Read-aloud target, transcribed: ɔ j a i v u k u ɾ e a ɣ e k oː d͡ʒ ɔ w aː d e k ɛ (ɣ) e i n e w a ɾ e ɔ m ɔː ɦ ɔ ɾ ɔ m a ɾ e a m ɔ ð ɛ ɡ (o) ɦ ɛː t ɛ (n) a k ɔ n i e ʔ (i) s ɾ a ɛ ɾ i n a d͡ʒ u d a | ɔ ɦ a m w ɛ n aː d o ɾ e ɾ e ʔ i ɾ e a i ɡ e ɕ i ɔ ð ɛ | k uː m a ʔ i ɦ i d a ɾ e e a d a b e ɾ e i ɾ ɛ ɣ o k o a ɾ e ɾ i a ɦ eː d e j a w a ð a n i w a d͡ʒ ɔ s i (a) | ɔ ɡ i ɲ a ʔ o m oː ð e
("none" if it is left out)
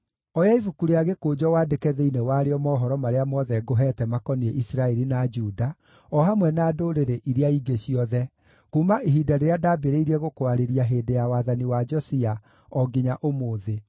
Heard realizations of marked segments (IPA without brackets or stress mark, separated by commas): ð, o, m, i, a